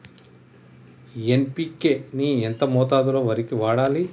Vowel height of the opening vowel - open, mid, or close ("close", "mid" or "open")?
mid